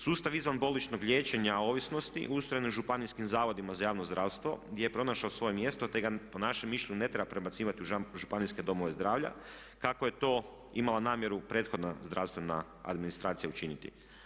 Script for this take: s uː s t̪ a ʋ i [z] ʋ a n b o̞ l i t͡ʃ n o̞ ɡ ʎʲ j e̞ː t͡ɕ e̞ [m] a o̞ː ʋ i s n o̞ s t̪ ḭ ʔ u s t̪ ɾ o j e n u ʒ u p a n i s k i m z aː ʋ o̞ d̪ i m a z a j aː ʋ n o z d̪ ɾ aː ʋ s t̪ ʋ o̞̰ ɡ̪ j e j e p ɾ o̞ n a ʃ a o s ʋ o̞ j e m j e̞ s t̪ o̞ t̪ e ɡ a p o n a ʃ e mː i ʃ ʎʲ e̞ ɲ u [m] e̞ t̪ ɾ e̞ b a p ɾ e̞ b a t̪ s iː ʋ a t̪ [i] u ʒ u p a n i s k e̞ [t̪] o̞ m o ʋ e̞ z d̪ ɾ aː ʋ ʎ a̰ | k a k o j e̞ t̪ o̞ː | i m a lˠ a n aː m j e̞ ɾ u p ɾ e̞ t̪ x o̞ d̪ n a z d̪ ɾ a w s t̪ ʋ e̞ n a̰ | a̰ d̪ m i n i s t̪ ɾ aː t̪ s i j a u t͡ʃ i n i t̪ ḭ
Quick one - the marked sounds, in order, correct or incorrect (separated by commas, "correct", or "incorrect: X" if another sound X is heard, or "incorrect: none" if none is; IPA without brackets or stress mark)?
correct, incorrect: ɲ, incorrect: n, correct, incorrect: d̪